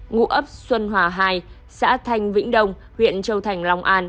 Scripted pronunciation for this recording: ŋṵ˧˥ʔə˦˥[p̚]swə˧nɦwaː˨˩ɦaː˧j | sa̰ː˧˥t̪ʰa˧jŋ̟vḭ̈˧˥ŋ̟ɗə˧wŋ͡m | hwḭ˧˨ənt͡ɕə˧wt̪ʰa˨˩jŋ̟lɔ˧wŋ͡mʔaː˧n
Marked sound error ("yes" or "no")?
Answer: no